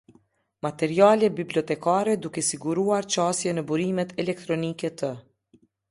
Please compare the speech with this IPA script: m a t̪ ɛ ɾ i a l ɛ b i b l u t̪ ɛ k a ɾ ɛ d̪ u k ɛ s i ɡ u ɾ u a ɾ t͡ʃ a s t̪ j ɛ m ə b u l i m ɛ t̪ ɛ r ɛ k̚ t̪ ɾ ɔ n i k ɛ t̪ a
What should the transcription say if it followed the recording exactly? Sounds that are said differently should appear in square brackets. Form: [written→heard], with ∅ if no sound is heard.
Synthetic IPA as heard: m a t̪ ɛ ɾ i a l ɛ b i b l [u→ɔ] t̪ ɛ k a ɾ ɛ d̪ u k ɛ s i ɡ u ɾ u a ɾ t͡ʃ a s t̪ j ɛ [m→n] ə b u [l→ɾ] i m ɛ t̪ ɛ [r→l] ɛ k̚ t̪ ɾ ɔ n i k ɛ t̪ [a→ə]